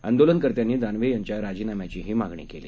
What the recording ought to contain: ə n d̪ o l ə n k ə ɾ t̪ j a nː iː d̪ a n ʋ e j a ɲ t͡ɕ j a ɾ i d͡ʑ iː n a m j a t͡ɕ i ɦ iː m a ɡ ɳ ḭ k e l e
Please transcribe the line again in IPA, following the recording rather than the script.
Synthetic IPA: ə n d̪ o l ə n k ə ɾ t̪ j a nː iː d̪ a n ʋ e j a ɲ t͡ɕ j a ɾ a d͡ʑ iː n a m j a t͡ɕ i ɦ iː m a ɡ ɳ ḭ k e l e